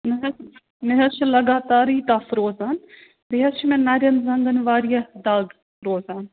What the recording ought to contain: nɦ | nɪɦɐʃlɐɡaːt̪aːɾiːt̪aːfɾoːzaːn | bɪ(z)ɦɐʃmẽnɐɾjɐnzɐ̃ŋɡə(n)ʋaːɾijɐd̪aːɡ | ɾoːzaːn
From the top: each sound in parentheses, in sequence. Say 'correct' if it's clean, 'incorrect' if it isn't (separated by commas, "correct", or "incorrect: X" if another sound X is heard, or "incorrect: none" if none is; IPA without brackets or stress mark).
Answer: incorrect: none, correct